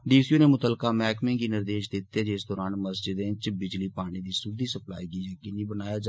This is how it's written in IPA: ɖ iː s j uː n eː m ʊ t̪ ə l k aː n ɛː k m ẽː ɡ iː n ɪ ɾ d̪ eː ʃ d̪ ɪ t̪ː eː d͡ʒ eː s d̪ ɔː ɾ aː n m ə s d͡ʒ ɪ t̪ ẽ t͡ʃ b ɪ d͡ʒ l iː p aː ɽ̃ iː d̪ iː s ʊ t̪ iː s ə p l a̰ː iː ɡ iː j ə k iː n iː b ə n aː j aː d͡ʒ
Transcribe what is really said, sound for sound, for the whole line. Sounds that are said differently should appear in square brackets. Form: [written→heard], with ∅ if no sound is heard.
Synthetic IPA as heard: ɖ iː s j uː n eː m ʊ t̪ ə l k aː [n→m] ɛː k m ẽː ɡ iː n ɪ ɾ d̪ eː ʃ d̪ ɪ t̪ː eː d͡ʒ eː s d̪ ɔː ɾ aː n m ə s d͡ʒ ɪ [t̪→d̪] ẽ t͡ʃ b ɪ d͡ʒ l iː p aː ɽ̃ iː d̪ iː s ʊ [t̪→d̪] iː s ə p l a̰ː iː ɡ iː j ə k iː n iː b ə n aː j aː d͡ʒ